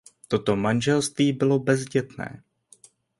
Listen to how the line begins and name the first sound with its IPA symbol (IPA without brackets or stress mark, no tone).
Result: t̪